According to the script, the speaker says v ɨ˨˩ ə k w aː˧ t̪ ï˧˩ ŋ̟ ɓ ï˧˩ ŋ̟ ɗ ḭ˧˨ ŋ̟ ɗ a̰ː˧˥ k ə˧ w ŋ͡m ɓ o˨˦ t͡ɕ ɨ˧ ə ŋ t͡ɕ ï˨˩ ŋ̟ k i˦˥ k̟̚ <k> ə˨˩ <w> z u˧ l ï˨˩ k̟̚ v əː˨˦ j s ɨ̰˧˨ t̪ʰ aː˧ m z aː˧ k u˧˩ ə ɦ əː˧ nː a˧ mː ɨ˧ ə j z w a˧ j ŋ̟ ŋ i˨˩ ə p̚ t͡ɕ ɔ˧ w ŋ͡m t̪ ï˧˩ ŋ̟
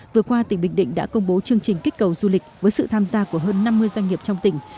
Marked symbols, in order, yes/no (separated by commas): yes, yes